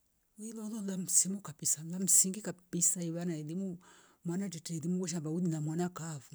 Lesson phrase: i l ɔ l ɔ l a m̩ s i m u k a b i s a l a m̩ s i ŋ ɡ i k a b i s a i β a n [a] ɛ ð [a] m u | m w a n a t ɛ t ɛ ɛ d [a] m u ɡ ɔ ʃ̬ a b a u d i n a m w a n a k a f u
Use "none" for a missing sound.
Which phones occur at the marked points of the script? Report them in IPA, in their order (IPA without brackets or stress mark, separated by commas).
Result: a, i, i